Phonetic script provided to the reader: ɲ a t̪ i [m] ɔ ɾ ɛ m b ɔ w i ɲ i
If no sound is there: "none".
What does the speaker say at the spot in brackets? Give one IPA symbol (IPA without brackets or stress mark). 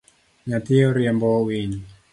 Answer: none